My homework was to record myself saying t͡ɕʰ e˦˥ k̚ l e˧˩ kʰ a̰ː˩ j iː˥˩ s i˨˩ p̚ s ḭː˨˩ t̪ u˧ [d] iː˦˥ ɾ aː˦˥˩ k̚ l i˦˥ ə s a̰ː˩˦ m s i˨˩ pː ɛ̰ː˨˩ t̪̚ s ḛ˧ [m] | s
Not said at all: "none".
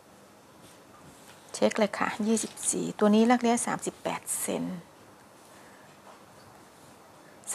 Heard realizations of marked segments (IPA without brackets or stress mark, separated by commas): n, n